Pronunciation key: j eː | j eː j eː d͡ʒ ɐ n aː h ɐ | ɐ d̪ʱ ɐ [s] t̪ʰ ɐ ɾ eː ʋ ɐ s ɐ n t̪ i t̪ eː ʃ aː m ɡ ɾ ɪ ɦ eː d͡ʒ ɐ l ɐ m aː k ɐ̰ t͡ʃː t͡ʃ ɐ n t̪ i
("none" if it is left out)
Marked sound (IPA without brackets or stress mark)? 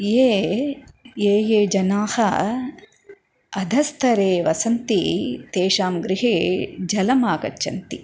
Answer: s